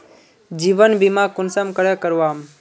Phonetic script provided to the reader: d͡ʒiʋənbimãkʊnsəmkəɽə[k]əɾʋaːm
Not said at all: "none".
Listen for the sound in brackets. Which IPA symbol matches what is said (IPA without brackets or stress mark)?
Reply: k